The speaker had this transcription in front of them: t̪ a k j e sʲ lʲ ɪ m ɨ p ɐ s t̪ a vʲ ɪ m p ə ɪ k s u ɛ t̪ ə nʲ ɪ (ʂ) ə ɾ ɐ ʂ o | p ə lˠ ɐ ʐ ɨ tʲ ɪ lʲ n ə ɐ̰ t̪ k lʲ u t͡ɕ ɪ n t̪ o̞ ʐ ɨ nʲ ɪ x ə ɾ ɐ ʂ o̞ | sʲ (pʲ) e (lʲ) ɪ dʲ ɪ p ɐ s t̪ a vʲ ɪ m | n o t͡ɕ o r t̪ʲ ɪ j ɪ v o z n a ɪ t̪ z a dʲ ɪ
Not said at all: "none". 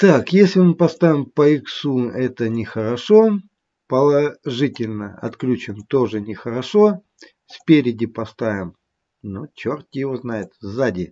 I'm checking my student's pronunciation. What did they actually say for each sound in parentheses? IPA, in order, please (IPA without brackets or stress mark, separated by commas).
x, pʲ, ɾʲ